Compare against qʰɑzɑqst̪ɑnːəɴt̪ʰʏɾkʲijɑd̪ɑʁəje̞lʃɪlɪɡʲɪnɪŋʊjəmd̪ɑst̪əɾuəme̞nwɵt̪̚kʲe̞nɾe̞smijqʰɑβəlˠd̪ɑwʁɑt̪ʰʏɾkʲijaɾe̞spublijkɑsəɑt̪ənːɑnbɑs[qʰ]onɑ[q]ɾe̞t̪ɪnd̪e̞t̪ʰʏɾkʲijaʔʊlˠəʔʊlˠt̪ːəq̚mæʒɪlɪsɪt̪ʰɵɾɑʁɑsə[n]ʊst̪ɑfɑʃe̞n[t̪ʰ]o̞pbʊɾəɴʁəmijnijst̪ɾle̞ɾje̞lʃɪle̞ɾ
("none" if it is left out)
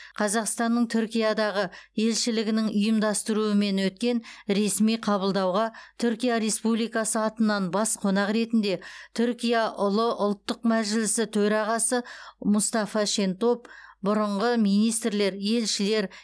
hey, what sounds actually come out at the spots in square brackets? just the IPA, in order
qʰ, q, m, t̪

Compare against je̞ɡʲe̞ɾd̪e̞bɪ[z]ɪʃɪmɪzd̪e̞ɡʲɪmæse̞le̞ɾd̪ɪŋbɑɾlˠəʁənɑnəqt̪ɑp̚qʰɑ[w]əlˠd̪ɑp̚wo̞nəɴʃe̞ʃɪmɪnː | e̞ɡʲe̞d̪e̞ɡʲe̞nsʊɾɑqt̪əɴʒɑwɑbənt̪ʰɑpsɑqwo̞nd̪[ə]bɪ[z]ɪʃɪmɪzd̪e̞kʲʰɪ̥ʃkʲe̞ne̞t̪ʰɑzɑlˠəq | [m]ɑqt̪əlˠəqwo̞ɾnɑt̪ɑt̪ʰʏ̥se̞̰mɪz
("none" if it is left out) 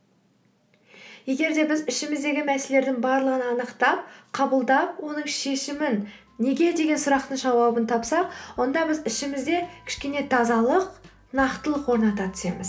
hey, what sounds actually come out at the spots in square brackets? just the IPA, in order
z, b, ɑ, z, n

